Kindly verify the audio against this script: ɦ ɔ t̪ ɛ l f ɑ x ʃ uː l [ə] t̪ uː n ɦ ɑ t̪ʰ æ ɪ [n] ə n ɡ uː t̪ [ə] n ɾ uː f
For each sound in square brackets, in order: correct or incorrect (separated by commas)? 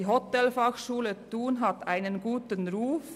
correct, correct, correct